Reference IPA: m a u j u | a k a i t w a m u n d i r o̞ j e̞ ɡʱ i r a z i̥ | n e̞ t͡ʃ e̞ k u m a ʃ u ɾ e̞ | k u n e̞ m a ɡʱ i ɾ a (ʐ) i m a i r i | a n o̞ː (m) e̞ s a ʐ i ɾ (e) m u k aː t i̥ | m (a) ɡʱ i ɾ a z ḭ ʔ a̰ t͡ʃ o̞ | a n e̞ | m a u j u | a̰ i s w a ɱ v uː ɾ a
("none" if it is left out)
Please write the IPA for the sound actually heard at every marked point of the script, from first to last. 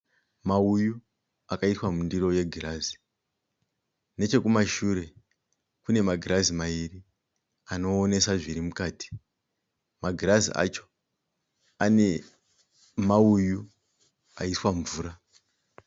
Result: z, n, i, a

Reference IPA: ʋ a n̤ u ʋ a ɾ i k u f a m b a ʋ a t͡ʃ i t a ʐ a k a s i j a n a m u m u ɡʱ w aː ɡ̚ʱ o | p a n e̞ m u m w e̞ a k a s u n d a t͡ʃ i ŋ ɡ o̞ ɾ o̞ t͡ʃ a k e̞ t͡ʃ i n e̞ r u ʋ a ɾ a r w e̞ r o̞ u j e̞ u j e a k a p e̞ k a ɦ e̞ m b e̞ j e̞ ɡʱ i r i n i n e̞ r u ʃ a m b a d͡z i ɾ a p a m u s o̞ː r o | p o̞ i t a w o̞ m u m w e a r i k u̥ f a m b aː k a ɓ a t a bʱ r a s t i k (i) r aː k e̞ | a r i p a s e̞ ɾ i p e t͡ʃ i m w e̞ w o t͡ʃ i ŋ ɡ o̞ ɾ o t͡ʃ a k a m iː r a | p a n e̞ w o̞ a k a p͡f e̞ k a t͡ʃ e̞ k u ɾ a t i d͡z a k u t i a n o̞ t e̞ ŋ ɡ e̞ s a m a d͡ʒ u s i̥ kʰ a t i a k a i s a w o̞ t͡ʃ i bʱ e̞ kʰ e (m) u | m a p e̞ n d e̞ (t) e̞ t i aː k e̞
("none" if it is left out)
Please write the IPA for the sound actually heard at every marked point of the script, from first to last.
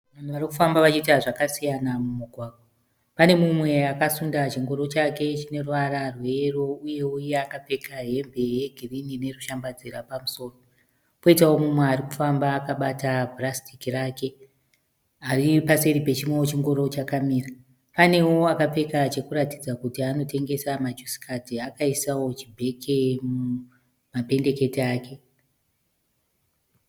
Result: i, m, k

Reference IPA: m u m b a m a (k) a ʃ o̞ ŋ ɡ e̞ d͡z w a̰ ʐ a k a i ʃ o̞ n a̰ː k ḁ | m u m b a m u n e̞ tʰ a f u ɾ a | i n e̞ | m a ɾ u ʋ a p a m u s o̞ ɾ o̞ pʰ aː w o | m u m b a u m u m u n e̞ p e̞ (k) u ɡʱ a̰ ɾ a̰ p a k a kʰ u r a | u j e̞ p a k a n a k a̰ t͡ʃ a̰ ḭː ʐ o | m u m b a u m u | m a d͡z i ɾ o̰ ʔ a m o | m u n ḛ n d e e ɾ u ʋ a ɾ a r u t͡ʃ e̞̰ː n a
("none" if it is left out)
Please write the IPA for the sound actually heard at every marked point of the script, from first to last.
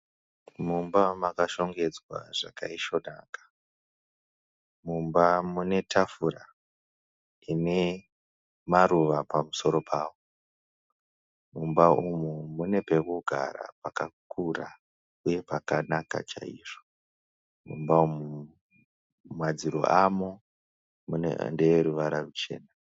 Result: k, k

